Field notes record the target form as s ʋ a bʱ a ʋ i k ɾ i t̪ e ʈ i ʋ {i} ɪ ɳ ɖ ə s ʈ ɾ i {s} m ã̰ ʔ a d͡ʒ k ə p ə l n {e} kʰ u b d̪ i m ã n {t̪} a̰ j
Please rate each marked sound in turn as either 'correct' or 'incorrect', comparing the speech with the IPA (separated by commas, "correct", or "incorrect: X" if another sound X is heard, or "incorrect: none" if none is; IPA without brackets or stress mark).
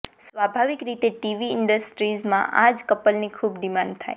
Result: correct, incorrect: z, incorrect: i, incorrect: t̪ʰ